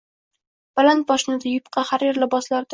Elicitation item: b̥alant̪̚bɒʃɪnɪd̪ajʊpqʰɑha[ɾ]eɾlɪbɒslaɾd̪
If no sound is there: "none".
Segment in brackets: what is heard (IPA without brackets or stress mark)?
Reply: ɾ